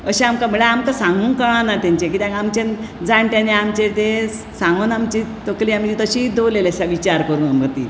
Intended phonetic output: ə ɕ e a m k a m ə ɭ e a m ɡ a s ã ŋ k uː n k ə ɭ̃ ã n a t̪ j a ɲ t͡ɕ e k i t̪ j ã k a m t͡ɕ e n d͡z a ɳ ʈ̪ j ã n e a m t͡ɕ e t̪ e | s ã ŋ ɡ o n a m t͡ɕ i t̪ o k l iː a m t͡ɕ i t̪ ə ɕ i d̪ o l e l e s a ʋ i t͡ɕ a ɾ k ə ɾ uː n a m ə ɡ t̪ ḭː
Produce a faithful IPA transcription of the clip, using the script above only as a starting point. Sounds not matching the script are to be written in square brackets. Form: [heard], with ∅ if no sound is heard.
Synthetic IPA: ə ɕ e a m k a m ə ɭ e a m [k] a s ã ŋ [ɡ] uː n k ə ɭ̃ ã n a t̪ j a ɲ t͡ɕ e k i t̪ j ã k a m t͡ɕ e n d͡z a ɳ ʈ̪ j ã n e a m t͡ɕ e t̪ e | s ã ŋ ɡ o n a m t͡ɕ i t̪ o k l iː a m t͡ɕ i t̪ ə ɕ i d̪ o l e l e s a ʋ i t͡ɕ a ɾ k ə ɾ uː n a m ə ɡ t̪ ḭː